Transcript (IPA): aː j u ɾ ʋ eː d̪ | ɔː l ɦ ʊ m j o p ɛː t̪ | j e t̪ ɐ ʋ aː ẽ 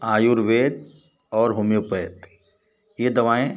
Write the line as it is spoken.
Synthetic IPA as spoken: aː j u ɾ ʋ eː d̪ | ɔː ɾ ɦ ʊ m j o p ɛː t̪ | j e d̪ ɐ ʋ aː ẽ